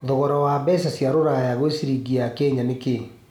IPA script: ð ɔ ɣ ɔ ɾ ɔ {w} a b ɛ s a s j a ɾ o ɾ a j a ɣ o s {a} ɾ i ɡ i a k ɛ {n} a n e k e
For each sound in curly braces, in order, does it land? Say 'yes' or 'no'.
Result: yes, no, no

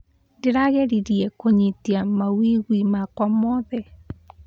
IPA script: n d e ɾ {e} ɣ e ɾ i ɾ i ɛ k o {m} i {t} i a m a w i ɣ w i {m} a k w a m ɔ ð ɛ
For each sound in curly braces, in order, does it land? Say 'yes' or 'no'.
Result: no, no, yes, yes

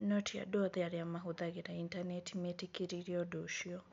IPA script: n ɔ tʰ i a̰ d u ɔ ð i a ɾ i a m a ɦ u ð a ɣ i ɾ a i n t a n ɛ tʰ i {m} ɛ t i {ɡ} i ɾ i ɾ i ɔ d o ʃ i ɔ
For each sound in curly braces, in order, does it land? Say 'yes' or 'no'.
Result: yes, no

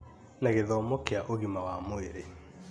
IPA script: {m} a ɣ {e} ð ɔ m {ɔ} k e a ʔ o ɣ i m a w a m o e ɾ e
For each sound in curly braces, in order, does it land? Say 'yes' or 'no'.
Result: no, yes, no

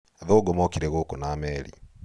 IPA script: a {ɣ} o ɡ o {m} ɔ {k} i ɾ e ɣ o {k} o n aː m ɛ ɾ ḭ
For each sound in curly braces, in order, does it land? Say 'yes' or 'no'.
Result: no, yes, yes, yes

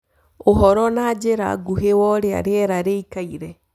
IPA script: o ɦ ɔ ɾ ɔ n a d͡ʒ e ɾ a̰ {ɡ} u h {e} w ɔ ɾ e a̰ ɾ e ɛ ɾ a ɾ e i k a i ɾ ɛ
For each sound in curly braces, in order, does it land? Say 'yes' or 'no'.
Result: yes, yes

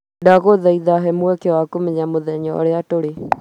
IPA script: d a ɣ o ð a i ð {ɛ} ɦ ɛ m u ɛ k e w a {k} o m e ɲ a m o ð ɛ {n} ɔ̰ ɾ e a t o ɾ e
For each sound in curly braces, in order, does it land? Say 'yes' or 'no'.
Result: no, yes, no

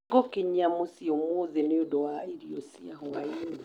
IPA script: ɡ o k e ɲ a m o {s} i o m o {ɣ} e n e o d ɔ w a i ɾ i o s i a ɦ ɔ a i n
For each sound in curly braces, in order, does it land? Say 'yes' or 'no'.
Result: yes, no

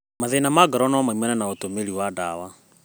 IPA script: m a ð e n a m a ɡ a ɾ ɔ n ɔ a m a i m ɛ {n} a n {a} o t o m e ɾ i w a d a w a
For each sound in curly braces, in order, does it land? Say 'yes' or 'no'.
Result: yes, yes

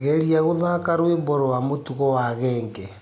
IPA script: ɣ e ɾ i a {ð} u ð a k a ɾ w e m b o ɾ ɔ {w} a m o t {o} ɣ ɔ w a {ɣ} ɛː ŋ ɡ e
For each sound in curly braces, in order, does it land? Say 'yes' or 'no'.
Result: no, yes, no, yes

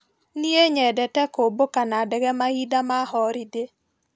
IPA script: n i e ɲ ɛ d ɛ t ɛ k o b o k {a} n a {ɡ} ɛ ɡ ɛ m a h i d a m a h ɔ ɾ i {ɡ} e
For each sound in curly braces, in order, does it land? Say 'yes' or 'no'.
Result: yes, no, no

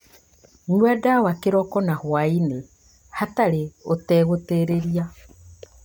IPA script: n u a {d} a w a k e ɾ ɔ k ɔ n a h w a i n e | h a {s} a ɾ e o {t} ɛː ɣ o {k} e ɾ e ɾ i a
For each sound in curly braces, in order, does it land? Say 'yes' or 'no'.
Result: yes, no, yes, no

